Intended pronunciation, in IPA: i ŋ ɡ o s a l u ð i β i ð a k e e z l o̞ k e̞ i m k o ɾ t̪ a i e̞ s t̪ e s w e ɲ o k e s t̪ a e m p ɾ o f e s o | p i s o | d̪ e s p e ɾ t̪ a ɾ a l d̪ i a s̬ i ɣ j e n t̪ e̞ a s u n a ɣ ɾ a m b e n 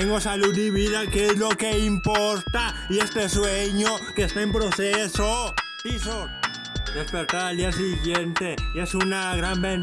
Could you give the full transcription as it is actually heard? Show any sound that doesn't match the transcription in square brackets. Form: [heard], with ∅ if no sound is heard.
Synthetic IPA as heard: [e] ŋ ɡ o s a l u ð i β i ð a k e e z l o̞ k e̞ i m [p] o ɾ t̪ a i e̞ s t̪ e s w e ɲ o k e s t̪ a e m p ɾ o [s] e s o | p i s o | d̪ e s p e ɾ t̪ a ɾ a l d̪ i a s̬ i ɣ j e n t̪ e̞ [e] s u n a ɣ ɾ a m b e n